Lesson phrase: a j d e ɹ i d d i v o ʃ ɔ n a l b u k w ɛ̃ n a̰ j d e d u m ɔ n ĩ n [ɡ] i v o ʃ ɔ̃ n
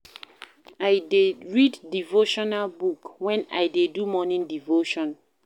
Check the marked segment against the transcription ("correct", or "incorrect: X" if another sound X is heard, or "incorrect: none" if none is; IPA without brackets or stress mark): incorrect: d